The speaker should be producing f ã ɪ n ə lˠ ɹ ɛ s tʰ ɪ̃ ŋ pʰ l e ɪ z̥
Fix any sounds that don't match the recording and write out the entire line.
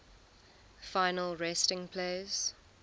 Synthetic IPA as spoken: f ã ɪ n ə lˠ ɹ ɛ s t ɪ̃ ŋ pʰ l e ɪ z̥